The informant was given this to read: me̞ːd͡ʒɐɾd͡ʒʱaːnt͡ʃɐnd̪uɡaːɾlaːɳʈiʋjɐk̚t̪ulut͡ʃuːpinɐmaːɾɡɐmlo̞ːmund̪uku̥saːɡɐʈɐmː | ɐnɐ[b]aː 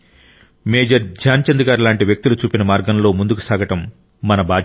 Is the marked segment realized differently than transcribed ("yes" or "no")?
no